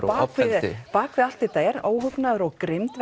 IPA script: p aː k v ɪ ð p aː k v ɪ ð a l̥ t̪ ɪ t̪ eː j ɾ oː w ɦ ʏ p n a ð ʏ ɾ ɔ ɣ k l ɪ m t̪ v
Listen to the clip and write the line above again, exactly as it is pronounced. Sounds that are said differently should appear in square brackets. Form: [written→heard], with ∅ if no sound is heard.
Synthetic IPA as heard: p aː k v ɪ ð p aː k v ɪ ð a l̥ t̪ ɪ t̪ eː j ɾ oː w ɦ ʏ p n a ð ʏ ɾ ɔ ɣ k [l→ɾ] ɪ m t̪ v